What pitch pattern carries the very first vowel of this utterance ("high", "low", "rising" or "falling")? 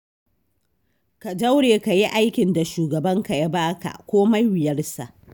low